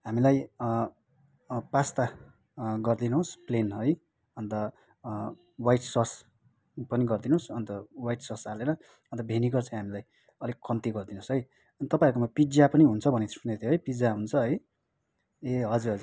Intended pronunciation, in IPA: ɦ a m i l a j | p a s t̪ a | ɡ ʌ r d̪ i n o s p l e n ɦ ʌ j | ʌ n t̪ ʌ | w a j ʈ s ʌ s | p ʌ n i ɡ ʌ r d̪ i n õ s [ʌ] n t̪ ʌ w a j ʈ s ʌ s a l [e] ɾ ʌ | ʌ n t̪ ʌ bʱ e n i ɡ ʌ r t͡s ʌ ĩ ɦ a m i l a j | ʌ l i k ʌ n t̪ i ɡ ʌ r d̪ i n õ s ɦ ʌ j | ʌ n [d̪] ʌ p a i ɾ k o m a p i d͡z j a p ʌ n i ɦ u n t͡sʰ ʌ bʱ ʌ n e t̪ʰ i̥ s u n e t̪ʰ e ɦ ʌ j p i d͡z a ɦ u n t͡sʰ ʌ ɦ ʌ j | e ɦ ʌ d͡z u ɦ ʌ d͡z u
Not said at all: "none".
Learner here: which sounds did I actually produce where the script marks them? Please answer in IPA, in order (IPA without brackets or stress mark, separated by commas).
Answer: ʌ, e, t̪